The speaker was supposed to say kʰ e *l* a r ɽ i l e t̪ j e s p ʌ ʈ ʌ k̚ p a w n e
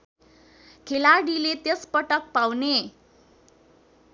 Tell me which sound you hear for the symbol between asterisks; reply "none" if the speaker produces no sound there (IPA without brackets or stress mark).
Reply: l